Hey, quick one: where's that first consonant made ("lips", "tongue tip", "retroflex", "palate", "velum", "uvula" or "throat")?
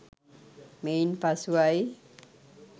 lips